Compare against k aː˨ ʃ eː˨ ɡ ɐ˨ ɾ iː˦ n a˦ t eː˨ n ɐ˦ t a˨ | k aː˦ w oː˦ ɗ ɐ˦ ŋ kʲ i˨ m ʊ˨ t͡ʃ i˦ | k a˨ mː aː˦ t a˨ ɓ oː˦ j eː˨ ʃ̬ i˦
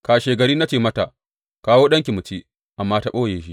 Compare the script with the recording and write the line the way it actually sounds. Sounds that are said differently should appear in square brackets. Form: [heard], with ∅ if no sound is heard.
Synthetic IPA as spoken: k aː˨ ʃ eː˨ ɡ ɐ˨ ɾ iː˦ n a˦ [t͡ʃ] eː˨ [m] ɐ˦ t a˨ | k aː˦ w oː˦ ɗ ɐ˦ ŋ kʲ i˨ m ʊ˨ t͡ʃ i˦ | [ʔ] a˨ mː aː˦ t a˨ ɓ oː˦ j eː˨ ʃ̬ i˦